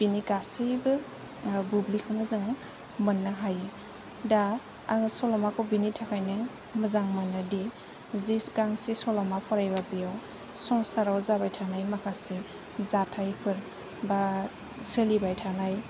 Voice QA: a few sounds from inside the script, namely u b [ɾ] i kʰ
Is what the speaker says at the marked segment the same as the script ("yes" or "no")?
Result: no